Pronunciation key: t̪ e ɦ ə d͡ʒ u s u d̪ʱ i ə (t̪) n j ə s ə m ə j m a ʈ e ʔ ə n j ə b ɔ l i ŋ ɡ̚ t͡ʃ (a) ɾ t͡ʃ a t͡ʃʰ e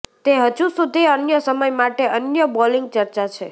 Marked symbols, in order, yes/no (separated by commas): no, no